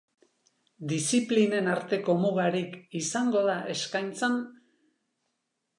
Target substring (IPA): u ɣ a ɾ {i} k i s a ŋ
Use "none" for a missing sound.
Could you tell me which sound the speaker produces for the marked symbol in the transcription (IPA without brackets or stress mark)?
i